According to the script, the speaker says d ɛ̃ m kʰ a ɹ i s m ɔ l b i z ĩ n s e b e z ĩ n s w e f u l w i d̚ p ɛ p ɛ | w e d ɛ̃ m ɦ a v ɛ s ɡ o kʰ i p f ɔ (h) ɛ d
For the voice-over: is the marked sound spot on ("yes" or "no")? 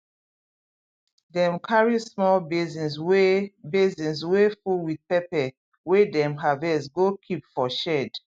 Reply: no